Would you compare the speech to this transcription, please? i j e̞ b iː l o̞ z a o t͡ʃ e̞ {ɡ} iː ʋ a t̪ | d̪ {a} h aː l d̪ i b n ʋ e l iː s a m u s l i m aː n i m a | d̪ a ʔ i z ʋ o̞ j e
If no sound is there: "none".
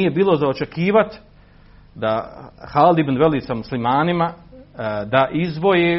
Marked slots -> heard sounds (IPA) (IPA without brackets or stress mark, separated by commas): k, a